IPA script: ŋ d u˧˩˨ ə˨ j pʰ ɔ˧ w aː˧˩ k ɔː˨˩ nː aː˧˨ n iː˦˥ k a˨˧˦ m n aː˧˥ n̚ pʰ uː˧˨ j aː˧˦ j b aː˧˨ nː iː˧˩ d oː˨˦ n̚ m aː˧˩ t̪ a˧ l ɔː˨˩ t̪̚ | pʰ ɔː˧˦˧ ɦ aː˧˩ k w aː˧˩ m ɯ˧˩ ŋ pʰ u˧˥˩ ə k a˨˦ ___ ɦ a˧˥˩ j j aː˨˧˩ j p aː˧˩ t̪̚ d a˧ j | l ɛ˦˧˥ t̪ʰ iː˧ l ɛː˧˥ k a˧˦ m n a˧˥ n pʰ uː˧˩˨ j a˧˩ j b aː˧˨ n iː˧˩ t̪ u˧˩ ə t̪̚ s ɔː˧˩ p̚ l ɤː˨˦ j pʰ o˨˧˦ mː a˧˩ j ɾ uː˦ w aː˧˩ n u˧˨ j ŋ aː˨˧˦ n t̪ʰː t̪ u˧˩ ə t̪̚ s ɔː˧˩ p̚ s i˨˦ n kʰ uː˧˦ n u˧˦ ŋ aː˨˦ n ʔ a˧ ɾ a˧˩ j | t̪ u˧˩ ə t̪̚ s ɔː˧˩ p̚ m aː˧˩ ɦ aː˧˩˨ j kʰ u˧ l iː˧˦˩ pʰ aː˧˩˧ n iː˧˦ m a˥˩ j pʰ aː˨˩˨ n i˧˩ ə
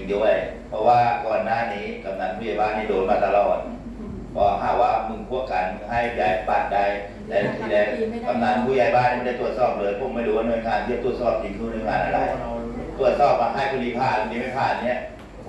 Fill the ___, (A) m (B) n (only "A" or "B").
B